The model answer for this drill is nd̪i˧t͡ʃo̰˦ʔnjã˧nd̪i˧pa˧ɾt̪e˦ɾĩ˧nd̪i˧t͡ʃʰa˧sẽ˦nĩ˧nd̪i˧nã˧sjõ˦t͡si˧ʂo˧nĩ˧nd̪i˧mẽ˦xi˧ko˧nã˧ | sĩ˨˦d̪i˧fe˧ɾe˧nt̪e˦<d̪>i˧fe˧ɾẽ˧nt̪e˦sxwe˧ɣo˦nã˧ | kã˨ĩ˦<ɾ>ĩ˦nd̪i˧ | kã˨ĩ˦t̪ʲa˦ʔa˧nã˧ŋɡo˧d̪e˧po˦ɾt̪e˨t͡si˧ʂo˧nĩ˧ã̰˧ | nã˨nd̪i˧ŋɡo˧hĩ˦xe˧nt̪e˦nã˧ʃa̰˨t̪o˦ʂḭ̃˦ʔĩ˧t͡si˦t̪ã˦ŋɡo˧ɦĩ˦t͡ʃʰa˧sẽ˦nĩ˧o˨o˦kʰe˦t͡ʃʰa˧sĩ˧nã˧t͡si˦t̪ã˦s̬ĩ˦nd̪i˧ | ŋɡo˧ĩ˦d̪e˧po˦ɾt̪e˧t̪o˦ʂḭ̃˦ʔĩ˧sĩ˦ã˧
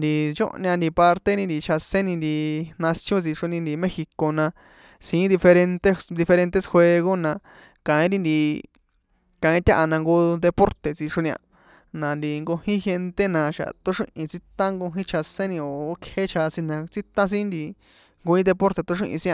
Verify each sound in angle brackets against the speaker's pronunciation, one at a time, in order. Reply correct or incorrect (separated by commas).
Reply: correct, correct